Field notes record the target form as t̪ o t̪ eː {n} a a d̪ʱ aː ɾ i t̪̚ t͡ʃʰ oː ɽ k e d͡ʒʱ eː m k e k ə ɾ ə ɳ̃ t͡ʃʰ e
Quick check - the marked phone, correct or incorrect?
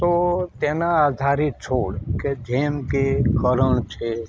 correct